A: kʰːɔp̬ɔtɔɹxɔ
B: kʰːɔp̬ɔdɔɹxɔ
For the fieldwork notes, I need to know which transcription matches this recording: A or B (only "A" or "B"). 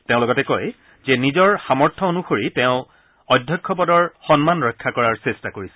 B